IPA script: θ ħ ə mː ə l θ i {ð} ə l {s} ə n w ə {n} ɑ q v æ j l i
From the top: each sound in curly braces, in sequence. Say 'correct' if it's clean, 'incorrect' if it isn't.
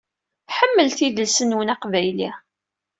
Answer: correct, correct, correct

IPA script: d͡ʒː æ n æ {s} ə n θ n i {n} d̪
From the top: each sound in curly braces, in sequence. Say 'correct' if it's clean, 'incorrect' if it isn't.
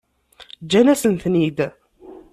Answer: correct, incorrect: none

